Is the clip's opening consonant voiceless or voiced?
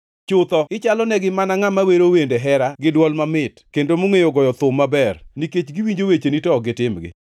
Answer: voiceless